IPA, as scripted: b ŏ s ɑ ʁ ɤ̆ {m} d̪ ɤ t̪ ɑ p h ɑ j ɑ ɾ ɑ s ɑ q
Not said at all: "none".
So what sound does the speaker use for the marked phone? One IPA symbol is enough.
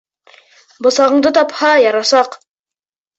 ɴ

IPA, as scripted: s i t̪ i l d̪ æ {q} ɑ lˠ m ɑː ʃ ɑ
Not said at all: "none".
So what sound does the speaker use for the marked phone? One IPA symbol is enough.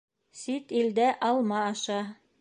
ʔ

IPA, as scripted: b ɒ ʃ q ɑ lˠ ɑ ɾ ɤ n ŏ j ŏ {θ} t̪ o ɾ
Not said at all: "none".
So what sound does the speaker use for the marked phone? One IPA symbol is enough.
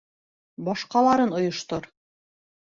ʃ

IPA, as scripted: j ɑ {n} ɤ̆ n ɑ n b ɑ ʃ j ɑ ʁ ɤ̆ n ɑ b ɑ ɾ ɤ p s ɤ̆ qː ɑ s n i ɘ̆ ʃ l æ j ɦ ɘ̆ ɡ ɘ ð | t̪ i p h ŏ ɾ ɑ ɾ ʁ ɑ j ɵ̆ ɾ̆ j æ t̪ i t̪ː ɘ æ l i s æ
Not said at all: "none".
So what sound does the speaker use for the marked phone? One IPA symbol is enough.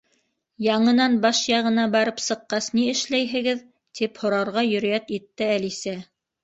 ɴ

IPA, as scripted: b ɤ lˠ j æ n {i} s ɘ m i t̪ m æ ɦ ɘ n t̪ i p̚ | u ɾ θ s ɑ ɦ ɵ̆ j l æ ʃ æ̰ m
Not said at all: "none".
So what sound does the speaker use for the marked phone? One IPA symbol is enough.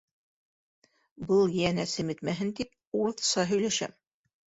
æ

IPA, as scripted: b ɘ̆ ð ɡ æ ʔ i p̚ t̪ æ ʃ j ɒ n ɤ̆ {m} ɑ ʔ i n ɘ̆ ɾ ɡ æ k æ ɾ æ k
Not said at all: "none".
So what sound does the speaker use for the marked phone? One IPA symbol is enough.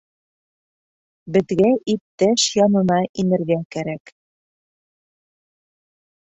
n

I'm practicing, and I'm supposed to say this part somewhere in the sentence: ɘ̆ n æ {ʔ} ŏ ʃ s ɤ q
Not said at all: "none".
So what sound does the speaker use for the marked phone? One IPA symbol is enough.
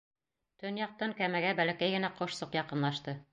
q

